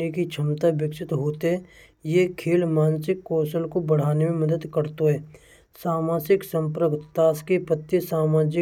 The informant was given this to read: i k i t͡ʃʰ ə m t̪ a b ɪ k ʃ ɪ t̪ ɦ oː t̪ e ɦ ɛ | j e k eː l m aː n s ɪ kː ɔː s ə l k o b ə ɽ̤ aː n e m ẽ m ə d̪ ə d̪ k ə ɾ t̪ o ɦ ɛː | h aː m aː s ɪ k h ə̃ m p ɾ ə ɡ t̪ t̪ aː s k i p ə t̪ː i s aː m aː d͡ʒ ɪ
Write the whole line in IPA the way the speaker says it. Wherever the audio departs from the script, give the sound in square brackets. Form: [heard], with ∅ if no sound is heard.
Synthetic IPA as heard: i k i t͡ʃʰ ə m t̪ a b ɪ k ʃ ɪ t̪ ɦ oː t̪ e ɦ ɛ | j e [kʰ] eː l m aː n s ɪ kː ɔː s ə l k o b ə ɽ̤ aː n e m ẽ m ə d̪ ə d̪ k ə ɾ t̪ o ɦ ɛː | [s] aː m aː s ɪ k [s] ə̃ m p ɾ ə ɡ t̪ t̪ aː s k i p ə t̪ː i s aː m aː d͡ʒ ɪ